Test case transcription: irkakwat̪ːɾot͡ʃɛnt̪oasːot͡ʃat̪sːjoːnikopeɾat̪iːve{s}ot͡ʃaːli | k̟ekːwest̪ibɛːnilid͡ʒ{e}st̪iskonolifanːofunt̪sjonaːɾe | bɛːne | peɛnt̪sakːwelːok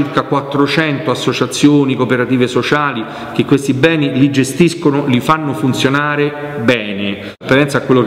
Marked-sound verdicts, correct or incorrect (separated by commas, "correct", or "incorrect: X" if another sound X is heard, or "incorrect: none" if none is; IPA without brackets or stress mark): correct, correct